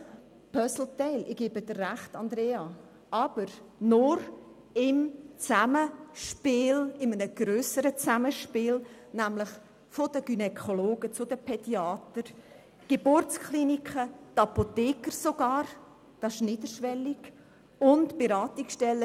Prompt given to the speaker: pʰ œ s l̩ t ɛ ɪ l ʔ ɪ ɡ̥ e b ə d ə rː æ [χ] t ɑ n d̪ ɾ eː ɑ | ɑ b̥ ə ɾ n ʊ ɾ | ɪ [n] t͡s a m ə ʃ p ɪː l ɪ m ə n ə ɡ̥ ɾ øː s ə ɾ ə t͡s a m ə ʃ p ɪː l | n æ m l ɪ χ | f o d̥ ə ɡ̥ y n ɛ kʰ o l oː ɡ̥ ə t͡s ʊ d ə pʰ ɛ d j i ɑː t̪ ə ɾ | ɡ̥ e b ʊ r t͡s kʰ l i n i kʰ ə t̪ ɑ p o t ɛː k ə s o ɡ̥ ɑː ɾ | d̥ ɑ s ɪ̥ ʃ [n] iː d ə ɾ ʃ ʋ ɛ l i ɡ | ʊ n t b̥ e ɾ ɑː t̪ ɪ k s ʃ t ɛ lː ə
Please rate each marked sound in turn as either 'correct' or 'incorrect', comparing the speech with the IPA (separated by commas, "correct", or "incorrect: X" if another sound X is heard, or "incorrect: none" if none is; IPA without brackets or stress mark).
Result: correct, incorrect: m, correct